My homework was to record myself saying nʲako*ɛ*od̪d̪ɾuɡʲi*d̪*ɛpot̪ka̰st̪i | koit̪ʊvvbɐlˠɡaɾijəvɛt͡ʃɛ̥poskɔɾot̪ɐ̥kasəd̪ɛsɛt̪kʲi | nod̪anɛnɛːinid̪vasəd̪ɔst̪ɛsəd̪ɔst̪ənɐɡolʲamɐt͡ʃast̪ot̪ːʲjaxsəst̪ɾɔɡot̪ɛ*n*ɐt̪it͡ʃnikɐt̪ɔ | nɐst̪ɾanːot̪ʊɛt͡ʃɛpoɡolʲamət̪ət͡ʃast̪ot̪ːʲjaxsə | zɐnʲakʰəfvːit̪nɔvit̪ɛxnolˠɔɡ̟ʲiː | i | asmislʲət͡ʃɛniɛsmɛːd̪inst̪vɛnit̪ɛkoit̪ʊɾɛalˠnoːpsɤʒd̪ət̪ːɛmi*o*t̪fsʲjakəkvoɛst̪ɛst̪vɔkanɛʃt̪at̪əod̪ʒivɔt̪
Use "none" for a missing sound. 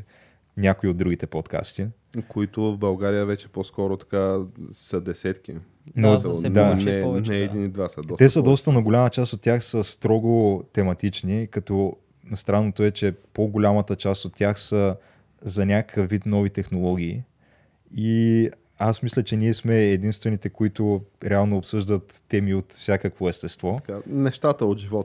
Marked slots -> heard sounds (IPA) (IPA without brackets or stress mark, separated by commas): i, t̪, m, o